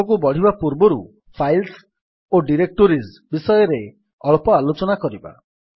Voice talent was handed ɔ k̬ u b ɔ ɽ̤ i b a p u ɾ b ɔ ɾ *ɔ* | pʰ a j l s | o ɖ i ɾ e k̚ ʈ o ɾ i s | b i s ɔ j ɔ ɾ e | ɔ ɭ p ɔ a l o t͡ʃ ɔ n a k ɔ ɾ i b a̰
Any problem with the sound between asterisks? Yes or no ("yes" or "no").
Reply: yes